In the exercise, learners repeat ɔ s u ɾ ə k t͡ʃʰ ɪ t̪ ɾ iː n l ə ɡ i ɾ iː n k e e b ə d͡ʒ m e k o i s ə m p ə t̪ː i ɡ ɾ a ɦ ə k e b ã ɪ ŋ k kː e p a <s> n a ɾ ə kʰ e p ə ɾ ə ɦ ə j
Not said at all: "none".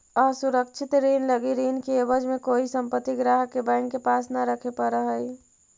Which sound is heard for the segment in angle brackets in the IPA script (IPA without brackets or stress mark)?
s